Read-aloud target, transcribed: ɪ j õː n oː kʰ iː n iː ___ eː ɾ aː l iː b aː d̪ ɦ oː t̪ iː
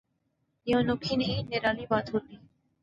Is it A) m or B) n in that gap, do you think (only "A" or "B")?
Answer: B